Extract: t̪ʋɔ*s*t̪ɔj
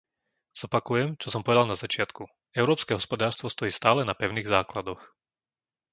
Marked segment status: correct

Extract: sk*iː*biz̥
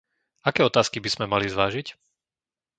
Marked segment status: incorrect: i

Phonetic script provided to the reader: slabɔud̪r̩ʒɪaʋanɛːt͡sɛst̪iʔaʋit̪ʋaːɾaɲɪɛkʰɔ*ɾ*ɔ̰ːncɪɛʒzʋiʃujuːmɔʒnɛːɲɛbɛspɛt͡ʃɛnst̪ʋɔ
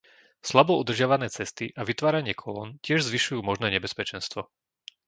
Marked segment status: incorrect: l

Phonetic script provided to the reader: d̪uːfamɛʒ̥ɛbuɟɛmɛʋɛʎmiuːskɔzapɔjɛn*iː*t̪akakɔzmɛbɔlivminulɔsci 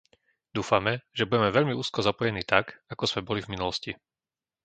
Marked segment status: correct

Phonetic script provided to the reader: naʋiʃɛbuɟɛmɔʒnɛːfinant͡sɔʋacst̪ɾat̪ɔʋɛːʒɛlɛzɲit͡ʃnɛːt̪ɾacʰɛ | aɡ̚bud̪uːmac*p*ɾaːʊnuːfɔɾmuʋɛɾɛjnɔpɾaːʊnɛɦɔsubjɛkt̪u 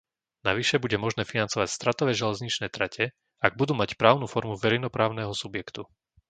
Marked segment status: correct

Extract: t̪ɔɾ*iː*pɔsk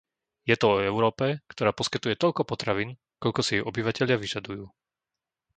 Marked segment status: incorrect: aː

